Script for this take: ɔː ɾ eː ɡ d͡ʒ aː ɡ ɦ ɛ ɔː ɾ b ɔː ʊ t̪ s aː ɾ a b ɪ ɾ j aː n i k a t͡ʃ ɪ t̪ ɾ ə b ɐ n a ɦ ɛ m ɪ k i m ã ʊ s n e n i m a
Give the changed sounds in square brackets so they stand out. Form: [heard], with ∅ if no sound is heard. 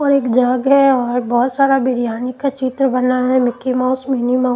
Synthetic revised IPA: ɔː ɾ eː [k] d͡ʒ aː ɡ ɦ ɛ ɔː ɾ b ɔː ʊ t̪ s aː ɾ a b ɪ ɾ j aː n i k a t͡ʃ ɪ t̪ ɾ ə b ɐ n a ɦ ɛ m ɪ k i m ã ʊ s [m] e n i m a